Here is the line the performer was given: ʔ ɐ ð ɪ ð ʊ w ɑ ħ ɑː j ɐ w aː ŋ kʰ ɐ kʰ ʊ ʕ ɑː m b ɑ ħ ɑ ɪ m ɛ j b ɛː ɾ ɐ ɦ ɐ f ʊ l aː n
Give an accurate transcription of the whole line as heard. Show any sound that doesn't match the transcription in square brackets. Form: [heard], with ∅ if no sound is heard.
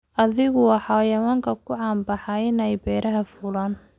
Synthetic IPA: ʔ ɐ ð ɪ [ɣ] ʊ w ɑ ħ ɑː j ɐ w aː ŋ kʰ ɐ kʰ ʊ ʕ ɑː m b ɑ ħ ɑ ɪ [n] ɛ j b ɛː ɾ ɐ ɦ ɐ f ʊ l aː n